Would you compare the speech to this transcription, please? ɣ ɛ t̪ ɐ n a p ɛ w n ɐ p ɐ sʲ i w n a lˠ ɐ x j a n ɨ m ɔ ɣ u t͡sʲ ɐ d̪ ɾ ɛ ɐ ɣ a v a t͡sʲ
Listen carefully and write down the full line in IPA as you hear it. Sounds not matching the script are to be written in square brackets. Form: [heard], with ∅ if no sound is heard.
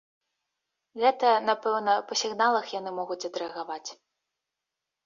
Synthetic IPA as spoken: ɣ ɛ t̪ ɐ n a p ɛ w n ɐ p ɐ sʲ i [ɣ] n a lˠ ɐ x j a n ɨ m ɔ ɣ u t͡sʲ ɐ d̪ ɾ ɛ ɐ ɣ a v a t͡sʲ